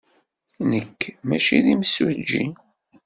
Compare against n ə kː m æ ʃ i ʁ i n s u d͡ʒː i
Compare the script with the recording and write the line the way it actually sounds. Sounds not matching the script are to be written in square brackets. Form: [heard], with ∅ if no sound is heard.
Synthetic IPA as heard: n ə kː m æ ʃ i [ð] i [m] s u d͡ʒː i

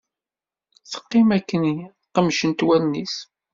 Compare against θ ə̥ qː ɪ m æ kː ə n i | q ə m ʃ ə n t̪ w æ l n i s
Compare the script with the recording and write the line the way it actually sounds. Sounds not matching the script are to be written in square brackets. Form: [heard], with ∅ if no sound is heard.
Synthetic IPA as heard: θ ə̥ qː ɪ m æ kː ə n i | q ə m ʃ ə n t̪ w æ l n i s

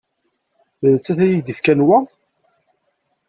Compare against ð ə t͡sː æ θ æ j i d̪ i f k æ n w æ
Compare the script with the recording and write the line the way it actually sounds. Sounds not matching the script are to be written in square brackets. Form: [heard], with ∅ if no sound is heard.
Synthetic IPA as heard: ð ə t͡sː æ θ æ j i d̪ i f k æ n w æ

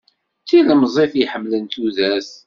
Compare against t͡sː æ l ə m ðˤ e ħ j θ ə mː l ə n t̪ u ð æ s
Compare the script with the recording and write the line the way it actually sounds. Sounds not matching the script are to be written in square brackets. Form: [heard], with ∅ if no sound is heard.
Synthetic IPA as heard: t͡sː [i] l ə m [zˤ] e [f] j [ħ] ə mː l ə n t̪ u ð æ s

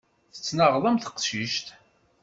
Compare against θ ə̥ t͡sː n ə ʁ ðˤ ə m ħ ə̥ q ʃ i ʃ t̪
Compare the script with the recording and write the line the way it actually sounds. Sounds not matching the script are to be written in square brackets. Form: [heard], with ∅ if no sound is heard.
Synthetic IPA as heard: θ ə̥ t͡sː n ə ʁ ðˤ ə m [θ] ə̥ q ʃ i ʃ t̪

